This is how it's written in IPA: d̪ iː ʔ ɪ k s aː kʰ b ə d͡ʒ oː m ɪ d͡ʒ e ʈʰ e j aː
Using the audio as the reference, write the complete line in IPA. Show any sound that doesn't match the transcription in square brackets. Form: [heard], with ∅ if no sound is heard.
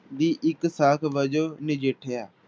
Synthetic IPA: d̪ iː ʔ ɪ k s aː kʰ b ə d͡ʒ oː [n] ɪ d͡ʒ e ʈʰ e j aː

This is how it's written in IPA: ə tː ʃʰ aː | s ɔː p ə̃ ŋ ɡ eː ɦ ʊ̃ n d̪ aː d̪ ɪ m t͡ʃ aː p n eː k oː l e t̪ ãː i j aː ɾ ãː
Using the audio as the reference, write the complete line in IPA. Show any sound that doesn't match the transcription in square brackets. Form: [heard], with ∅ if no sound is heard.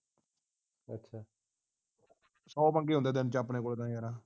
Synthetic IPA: ə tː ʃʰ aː | s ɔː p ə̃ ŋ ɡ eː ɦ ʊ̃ n d̪ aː d̪ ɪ [n] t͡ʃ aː p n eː k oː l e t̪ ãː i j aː ɾ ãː

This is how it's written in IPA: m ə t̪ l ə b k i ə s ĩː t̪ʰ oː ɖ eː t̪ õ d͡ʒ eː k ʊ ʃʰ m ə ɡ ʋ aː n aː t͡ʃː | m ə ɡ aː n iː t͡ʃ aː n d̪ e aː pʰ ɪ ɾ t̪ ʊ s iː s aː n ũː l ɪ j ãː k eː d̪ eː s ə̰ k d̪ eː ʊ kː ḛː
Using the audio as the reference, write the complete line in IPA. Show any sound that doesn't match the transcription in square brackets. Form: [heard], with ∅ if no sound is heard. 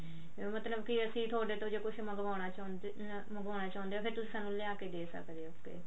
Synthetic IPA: m ə t̪ l ə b k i ə s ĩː t̪ʰ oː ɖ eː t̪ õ d͡ʒ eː k ʊ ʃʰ m ə ɡ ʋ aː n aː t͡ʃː | m ə ɡ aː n [aː] t͡ʃ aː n d̪ e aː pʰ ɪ ɾ t̪ ʊ s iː s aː n ũː l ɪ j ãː k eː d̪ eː s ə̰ k d̪ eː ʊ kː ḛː

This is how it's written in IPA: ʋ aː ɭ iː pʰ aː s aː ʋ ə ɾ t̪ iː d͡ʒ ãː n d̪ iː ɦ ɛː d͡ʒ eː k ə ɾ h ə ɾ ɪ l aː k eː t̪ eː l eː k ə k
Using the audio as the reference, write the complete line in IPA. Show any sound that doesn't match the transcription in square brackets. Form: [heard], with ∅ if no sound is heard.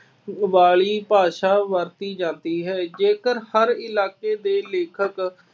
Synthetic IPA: ʋ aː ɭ iː [p] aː [ʃ] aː ʋ ə ɾ t̪ iː d͡ʒ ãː n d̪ iː ɦ ɛː d͡ʒ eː k ə ɾ h ə ɾ ɪ l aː k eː [d̪] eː l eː [kʰ] ə k

